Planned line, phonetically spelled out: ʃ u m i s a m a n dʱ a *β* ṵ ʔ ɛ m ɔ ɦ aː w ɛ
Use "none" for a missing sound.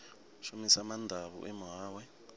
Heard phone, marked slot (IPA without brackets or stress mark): β